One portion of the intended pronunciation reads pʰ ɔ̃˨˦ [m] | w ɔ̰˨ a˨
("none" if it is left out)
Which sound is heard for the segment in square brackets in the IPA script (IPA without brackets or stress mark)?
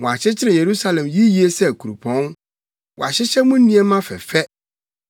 n